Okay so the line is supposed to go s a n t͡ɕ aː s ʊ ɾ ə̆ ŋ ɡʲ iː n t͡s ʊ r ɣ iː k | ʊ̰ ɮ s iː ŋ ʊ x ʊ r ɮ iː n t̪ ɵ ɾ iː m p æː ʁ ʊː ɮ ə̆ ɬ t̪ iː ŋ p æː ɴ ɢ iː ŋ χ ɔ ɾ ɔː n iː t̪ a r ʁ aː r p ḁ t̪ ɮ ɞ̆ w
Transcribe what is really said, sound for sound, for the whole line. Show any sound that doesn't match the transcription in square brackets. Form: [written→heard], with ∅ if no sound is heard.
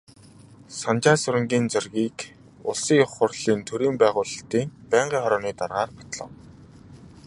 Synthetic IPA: s a n t͡ɕ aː s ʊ ɾ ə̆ ŋ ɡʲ iː n t͡s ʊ r ɣ iː k | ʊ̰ ɮ s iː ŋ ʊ [x→χ] ʊ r ɮ iː n [t̪→t̪ʰ] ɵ ɾ iː m p æː ʁ ʊː ɮ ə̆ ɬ t̪ iː ŋ p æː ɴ ɢ iː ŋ χ ɔ ɾ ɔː n iː t̪ a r ʁ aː r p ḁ t̪ ɮ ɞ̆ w